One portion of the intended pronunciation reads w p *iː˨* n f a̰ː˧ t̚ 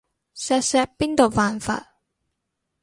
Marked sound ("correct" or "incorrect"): incorrect